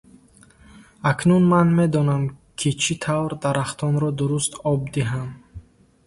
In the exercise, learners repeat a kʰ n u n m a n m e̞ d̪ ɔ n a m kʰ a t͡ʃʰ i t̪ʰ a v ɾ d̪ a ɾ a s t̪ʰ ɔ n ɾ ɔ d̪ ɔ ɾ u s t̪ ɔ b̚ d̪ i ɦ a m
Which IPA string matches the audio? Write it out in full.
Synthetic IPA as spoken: a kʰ n u n m a n m e̞ d̪ ɔ n a m kʰ i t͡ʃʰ i t̪ʰ a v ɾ d̪ a ɾ a χ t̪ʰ ɔ n ɾ ɔ d̪ u ɾ u s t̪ ɔ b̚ d̪ i ɦ a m